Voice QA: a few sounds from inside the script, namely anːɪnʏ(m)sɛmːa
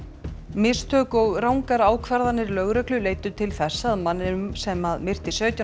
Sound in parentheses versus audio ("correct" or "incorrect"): correct